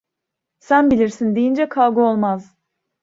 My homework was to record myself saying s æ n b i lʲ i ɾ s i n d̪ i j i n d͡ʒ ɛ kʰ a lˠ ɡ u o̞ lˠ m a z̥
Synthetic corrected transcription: s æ n b i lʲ i ɾ s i n d̪ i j i n d͡ʒ ɛ kʰ a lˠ ɡ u o̞ lˠ m a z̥